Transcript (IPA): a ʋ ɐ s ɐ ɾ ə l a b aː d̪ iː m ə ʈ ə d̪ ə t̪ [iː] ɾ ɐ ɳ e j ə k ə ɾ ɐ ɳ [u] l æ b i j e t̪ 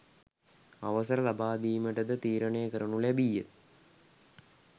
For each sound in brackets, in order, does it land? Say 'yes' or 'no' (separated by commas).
yes, yes